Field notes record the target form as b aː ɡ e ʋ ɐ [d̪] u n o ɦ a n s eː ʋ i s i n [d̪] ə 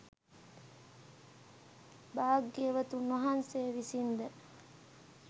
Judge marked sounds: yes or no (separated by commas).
no, yes